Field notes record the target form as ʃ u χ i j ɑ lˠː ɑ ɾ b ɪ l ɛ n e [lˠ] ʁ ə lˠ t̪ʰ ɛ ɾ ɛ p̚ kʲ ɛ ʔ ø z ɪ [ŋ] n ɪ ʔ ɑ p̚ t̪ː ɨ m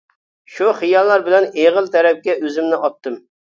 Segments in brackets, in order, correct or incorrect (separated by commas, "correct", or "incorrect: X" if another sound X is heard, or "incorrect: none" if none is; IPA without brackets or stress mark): incorrect: none, incorrect: m